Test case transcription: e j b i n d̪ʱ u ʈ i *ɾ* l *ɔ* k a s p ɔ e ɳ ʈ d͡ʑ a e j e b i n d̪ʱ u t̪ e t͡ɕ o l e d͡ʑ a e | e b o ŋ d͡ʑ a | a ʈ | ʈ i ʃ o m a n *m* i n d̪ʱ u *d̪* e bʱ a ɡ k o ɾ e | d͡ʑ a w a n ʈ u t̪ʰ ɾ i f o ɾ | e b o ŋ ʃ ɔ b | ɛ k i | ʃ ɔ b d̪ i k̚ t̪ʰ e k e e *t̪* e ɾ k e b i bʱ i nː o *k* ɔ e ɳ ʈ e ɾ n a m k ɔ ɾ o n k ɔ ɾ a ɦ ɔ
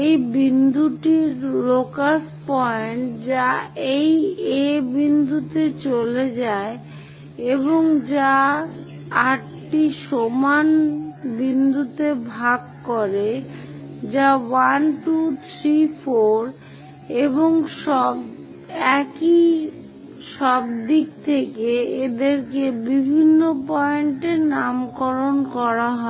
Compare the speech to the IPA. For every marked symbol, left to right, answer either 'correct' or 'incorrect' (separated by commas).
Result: correct, incorrect, incorrect, incorrect, incorrect, incorrect